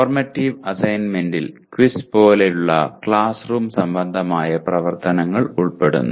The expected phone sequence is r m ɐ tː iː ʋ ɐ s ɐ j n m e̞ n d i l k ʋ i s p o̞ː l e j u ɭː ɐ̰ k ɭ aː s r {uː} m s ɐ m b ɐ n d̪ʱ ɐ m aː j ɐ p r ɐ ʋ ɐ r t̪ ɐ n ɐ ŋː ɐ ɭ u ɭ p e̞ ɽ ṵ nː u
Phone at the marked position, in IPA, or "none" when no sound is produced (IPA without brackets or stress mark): uː